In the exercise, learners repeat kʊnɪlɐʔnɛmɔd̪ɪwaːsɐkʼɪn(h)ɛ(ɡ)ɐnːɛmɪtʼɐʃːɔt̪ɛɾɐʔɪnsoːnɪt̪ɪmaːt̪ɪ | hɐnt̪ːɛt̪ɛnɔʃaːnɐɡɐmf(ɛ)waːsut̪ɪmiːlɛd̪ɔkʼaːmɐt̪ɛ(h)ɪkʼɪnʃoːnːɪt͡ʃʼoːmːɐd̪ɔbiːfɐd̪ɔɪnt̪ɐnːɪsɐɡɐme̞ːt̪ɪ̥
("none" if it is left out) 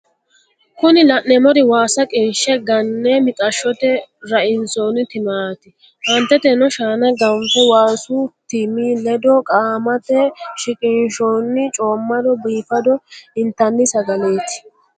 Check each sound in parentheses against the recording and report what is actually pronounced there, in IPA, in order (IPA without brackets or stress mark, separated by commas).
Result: ʃ, ɡ, ɛ, ʃ